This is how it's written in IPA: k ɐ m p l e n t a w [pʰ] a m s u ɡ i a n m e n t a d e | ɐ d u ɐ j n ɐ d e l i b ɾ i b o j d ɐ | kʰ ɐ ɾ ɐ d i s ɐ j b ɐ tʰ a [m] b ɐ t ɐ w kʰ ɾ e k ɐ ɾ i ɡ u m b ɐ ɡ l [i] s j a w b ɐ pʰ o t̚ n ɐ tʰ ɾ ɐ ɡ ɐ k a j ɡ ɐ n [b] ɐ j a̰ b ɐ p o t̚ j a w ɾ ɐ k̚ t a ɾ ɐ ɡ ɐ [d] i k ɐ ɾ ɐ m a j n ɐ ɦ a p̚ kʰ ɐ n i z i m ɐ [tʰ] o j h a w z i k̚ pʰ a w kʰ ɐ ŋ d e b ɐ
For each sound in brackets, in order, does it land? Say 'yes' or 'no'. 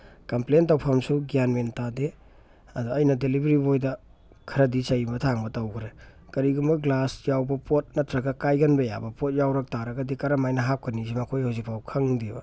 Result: yes, no, no, yes, yes, no

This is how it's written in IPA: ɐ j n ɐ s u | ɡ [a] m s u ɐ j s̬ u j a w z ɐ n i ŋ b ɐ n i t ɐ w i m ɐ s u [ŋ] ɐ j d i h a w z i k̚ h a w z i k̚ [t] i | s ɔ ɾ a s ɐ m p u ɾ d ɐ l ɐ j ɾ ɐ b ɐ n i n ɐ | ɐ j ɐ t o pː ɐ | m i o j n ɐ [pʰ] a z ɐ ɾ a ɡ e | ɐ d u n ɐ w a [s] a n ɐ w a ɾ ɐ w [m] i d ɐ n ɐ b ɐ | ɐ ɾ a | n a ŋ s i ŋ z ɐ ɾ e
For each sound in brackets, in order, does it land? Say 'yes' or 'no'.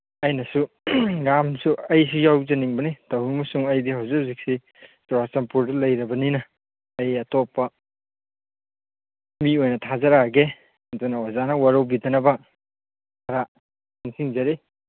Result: yes, yes, no, no, no, no

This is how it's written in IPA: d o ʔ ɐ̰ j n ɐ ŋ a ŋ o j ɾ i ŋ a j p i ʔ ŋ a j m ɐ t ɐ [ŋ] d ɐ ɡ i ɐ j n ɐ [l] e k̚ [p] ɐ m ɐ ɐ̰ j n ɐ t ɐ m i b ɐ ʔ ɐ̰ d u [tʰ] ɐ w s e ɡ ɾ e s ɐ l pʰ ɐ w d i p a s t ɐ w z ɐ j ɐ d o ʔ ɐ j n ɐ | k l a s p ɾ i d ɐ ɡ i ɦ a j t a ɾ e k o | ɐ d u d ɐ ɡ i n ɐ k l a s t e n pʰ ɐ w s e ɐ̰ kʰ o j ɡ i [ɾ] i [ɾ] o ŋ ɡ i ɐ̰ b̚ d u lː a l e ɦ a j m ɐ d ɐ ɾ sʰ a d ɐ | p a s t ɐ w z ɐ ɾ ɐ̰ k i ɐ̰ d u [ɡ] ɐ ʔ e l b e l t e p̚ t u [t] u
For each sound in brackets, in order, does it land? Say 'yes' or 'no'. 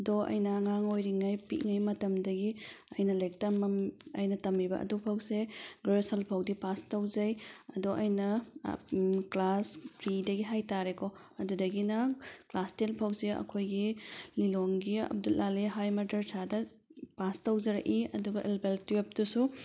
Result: no, yes, no, no, no, no, yes, no

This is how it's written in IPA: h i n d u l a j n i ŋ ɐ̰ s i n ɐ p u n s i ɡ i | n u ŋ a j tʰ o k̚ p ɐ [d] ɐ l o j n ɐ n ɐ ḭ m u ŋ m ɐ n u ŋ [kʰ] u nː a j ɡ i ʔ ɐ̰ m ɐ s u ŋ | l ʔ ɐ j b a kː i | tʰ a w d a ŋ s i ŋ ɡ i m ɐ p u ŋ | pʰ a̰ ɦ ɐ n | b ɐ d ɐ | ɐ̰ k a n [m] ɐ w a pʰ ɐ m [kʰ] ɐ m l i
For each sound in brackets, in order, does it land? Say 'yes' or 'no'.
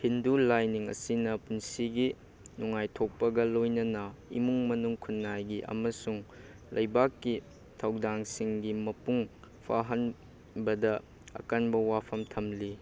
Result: no, yes, no, no

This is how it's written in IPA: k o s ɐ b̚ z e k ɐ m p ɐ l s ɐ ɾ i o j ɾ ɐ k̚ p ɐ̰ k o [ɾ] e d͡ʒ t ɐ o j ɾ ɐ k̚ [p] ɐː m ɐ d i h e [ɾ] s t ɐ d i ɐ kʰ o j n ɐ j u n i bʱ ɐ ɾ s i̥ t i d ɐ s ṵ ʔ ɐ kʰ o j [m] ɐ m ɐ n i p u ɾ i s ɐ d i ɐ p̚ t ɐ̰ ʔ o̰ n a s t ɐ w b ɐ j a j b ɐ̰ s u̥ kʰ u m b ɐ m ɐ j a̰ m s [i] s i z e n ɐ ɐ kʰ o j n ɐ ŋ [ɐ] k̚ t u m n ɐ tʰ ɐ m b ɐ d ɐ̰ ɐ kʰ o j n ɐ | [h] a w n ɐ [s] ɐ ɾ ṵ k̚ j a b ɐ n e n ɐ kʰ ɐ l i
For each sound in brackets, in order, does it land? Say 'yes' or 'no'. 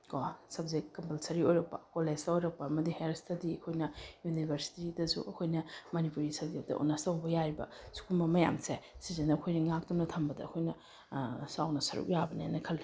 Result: no, yes, yes, no, no, no, no, yes

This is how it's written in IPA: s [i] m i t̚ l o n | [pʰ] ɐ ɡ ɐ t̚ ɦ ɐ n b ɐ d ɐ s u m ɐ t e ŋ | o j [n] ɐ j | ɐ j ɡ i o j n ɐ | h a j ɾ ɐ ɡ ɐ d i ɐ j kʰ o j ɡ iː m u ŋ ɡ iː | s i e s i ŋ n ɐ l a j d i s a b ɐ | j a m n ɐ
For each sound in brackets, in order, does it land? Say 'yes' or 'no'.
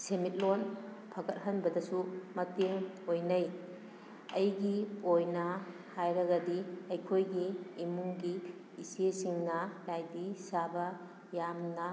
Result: no, yes, yes

